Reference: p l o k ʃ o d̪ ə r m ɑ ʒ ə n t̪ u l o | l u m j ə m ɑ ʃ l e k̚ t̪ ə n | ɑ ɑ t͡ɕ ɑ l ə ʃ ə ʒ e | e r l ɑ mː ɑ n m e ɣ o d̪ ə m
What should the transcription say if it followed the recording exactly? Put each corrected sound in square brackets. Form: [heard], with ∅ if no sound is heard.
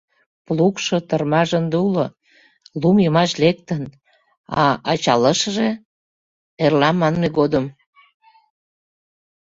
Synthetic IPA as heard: p l [u] k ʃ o [t̪] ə r m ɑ ʒ ə n [d̪] u l o | l u m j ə m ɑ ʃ l e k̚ t̪ ə n | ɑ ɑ t͡ɕ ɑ l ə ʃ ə ʒ e | e r l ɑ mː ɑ n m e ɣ o d̪ ə m

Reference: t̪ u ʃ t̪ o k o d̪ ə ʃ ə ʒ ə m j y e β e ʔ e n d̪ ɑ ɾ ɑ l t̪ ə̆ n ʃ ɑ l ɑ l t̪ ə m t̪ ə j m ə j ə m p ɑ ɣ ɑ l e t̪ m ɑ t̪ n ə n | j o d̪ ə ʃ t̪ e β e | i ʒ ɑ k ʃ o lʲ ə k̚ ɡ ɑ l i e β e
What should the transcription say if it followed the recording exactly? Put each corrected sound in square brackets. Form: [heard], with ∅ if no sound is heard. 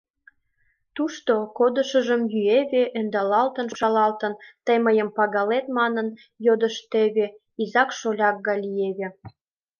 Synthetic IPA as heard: t̪ u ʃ t̪ o k o d̪ ə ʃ ə ʒ ə m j y e β e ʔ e n d̪ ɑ [l] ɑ l t̪ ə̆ n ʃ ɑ l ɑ l t̪ ə [n] t̪ ə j m ə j ə m p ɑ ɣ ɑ l e t̪ m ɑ [∅] n ə n | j o d̪ ə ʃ t̪ e β e | i [z] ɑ k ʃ o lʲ [ɑ] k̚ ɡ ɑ l i e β e

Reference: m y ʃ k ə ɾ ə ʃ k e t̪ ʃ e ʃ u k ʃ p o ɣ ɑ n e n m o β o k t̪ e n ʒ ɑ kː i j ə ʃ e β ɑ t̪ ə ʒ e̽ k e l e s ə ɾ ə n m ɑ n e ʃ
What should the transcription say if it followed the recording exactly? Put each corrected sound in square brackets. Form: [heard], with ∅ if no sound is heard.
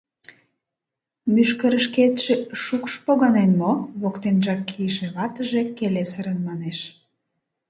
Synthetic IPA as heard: m y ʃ k ə ɾ ə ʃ k e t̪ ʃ e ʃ u k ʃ p o ɣ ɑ n e n m o β o k t̪ e n ʒ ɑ kː i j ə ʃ e β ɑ t̪ ə ʒ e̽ k e l e s ə ɾ ə n m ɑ n e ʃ

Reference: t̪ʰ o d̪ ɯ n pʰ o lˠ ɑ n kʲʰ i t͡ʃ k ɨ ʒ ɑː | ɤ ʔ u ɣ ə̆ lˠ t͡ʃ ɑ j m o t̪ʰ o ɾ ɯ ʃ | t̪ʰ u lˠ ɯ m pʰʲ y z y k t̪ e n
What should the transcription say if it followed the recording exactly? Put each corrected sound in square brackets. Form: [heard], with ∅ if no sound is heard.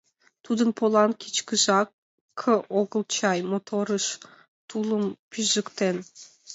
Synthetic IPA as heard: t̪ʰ [u] d̪ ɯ n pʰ o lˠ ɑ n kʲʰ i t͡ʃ k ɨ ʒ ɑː | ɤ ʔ [o] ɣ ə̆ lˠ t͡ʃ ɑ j m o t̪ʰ o ɾ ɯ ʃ | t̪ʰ u lˠ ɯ m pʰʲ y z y k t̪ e n

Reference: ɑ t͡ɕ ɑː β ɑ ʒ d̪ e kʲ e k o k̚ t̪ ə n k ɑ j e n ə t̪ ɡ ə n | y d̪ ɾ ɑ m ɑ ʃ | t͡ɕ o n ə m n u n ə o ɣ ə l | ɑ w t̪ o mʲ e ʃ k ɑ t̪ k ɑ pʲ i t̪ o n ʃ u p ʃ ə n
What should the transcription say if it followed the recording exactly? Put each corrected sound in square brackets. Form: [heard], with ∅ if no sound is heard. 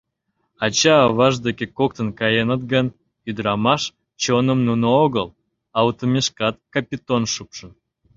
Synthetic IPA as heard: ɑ t͡ɕ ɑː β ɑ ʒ d̪ e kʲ e k o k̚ t̪ ə n k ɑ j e n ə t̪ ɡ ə n | y d̪ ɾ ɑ m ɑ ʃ | t͡ɕ o n ə m n u n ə o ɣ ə l | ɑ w t̪ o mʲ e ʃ k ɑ t̪ k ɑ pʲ i t̪ o n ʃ u p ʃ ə n

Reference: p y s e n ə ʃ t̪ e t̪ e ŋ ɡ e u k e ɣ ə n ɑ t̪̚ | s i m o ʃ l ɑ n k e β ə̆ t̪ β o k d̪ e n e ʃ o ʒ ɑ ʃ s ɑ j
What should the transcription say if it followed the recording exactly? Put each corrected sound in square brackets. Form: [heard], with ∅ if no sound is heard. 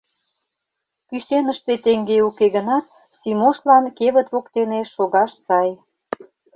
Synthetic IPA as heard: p y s e n ə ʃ t̪ e t̪ e ŋ ɡ e u k e ɣ ə n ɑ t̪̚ | s i m o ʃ l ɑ n k e β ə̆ t̪ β o k [t̪] e n e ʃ o [ɣ] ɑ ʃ s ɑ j

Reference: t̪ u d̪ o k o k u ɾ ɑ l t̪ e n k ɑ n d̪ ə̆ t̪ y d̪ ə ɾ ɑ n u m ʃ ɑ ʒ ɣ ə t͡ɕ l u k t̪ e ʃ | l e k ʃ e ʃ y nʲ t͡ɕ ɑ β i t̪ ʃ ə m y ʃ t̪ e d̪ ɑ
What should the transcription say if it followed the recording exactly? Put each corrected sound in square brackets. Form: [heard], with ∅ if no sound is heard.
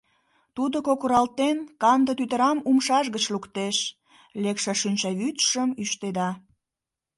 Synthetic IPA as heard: t̪ u d̪ o k o k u ɾ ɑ l t̪ e n k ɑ n d̪ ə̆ t̪ y [t̪] ə ɾ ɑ [m] u m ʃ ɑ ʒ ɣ ə t͡ɕ l u k t̪ e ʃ | l e k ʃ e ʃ y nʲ t͡ɕ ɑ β [y] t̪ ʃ ə m y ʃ t̪ e d̪ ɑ

